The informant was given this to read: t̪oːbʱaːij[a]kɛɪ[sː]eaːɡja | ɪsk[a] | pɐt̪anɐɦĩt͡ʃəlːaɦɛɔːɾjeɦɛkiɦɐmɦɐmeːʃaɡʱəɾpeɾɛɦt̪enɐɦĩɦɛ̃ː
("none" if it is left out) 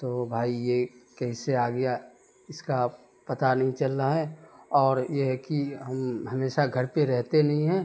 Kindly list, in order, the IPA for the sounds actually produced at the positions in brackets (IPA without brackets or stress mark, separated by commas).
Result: e, s, a